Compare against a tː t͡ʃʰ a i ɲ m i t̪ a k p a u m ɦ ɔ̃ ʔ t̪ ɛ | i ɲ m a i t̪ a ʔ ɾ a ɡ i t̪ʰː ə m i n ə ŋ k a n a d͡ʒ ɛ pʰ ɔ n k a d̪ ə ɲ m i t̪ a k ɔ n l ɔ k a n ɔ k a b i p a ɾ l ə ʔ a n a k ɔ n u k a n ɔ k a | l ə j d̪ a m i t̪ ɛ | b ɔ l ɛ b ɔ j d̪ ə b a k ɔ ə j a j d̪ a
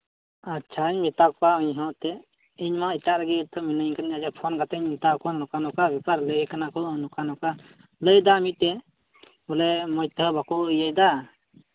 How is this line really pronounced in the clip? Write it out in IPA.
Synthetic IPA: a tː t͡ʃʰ a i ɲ m i t̪ a k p a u ɲ ɦ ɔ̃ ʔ t̪ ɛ | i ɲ m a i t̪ a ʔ ɾ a ɡ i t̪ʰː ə m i n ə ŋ k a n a d͡ʒ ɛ pʰ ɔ n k a t̪ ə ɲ m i t̪ a k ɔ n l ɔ k a n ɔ k a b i p a ɾ l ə k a n a k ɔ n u k a n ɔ k a | l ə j d̪ a m i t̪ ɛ | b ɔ l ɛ m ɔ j t̪ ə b a k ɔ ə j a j d̪ a